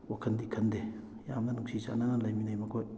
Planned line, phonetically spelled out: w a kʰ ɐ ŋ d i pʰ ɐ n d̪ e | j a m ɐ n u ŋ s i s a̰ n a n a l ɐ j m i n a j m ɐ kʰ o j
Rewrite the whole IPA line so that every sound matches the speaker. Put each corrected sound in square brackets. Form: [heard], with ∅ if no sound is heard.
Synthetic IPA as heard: w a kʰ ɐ [n] d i [kʰ] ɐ n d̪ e | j a m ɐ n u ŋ s i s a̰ n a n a l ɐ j m i n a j m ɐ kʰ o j